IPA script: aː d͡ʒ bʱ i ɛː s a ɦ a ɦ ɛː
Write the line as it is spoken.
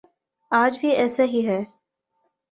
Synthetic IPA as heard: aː d͡ʒ bʱ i ɛː s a ɦ i ɦ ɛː

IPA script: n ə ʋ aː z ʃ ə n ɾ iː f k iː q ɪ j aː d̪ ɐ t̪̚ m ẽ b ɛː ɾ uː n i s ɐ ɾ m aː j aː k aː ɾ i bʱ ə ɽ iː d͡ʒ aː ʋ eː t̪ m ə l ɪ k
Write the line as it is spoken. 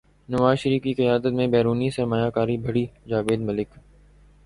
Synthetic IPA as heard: n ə ʋ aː z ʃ ə ɾ iː f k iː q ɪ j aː d̪ ə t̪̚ m ẽ b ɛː ɾ uː n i s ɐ ɾ m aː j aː k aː ɾ i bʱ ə ɽ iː d͡ʒ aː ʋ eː d̪ m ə l ɪ k

